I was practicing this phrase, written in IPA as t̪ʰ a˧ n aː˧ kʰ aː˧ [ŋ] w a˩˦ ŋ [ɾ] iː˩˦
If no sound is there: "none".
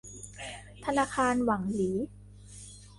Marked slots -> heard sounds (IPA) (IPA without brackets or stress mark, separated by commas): n, l